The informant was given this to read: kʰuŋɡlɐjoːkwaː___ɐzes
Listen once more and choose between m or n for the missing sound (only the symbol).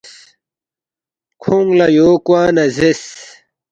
n